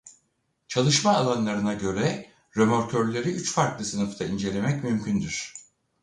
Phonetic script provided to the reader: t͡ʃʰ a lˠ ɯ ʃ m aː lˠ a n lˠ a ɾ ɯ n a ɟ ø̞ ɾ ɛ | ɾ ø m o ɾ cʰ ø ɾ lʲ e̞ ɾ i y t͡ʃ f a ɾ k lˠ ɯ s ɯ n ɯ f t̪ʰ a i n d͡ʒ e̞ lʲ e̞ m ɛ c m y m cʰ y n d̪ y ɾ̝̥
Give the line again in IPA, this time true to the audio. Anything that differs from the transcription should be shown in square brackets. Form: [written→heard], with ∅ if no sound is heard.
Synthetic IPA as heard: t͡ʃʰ a lˠ ɯ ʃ m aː lˠ a n lˠ a ɾ ɯ n a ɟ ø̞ ɾ ɛ | ɾ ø m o ɾ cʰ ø ɾ lʲ e̞ ɾ i y t͡ʃ f a ɾ k lˠ ɯ s ɯ n ɯ f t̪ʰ a i n d͡ʒ e̞ lʲ e̞ m ɛ c m y m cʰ y n d̪ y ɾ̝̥